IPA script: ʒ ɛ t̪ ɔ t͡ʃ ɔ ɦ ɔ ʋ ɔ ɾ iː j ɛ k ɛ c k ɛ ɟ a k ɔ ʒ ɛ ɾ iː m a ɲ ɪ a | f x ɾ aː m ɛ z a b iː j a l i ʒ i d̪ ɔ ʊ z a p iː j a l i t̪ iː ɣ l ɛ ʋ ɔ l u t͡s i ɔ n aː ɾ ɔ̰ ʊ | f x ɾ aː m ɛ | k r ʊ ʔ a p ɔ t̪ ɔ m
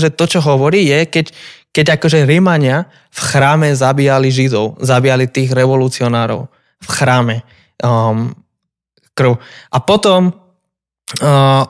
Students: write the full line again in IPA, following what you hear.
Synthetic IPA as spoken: ʒ ɛ t̪ ɔ t͡ʃ ɔ ɦ ɔ ʋ ɔ ɾ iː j ɛ k ɛ c k ɛ ɟ a k ɔ ʒ ɛ ɾ i m a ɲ ɪ a | f x ɾ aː m ɛ z a b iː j a l i ʒ i d̪ ɔ ʊ z a b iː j a l i t̪ iː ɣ ɾ ɛ ʋ ɔ l u t͡s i ɔ n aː ɾ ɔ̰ ʊ | f x ɾ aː m ɛ | k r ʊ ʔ a p ɔ t̪ ɔ m